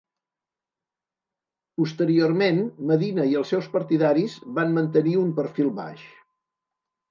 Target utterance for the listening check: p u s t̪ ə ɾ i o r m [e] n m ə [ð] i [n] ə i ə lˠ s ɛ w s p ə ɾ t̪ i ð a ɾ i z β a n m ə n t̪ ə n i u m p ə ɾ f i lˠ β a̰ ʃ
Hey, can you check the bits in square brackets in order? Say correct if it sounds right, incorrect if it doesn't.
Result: correct, correct, correct

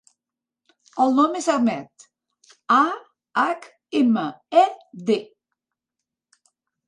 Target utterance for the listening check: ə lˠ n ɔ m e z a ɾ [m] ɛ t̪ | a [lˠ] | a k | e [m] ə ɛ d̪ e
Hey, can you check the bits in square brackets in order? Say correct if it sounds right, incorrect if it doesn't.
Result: correct, incorrect, correct

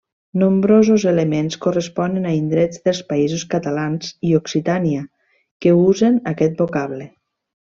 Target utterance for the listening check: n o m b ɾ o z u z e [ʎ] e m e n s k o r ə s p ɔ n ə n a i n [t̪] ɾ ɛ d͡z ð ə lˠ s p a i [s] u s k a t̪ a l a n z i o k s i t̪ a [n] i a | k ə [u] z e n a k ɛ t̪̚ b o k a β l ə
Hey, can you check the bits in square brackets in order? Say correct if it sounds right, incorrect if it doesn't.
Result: incorrect, incorrect, incorrect, correct, correct

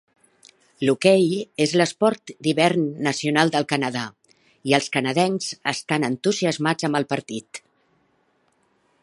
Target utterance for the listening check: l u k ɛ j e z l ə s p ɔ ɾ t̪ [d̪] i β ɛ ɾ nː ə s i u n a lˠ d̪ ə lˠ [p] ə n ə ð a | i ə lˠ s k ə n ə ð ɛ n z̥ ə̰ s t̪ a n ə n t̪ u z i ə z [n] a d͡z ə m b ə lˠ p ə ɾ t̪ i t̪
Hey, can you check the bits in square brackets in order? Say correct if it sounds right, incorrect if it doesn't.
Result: correct, incorrect, incorrect

